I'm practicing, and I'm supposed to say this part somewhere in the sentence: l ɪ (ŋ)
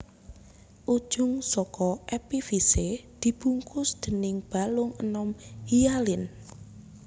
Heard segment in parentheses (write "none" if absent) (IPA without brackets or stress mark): n